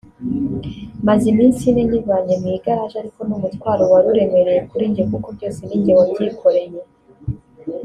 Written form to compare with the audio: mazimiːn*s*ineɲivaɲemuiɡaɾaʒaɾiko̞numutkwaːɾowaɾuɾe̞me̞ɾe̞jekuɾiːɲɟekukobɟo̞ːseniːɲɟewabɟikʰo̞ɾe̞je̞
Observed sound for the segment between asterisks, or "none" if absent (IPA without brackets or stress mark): s